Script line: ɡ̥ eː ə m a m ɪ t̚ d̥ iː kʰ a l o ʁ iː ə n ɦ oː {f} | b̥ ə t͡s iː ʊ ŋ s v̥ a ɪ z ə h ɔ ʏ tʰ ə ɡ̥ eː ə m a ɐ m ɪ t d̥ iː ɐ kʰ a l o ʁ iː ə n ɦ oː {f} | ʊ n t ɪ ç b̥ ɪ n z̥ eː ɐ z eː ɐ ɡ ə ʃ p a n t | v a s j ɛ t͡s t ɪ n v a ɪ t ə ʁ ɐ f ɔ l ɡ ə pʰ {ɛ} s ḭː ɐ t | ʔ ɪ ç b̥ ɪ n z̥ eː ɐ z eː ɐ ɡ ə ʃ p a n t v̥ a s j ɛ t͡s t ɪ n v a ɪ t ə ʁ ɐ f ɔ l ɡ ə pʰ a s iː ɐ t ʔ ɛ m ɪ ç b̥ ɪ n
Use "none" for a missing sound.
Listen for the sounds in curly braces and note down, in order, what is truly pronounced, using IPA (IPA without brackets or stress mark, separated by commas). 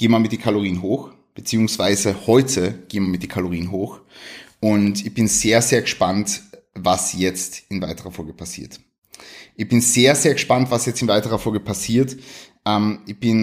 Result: x, x, a